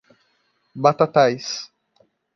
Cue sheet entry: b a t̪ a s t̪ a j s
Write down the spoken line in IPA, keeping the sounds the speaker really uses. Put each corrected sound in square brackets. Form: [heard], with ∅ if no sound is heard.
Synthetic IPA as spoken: b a t̪ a [∅] t̪ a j s